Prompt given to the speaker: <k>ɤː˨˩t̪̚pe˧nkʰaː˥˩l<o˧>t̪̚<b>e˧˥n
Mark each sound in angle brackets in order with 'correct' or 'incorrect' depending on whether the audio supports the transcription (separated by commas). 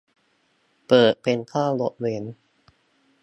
incorrect, incorrect, incorrect